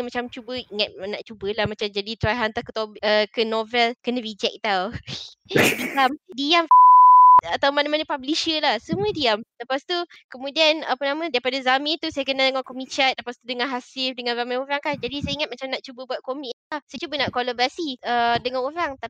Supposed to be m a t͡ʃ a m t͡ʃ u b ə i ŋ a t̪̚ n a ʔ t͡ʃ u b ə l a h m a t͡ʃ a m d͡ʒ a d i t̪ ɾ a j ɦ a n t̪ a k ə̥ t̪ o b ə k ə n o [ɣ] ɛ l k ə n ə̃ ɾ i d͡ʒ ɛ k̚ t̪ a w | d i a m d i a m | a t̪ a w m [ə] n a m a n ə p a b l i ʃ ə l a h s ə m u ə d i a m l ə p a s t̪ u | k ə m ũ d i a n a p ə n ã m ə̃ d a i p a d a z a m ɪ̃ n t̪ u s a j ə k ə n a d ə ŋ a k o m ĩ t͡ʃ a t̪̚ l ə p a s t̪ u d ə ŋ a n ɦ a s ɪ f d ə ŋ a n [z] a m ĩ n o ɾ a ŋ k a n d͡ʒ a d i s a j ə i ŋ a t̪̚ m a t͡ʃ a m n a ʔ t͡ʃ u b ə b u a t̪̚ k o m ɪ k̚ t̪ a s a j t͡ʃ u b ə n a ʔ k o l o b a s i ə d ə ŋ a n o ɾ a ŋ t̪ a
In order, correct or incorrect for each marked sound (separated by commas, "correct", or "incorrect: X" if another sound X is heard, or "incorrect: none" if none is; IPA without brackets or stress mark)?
incorrect: v, incorrect: a, correct